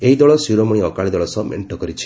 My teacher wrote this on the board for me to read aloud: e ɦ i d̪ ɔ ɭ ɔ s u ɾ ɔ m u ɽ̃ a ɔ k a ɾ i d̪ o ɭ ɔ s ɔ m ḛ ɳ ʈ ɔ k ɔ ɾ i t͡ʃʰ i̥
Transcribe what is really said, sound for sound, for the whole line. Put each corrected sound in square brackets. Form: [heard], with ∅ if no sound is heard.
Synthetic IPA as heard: e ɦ i d̪ ɔ ɭ ɔ s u ɾ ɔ m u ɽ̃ [i] ɔ k a [ɭ] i d̪ [ɔ] ɭ ɔ s ɔ m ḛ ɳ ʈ ɔ k ɔ ɾ i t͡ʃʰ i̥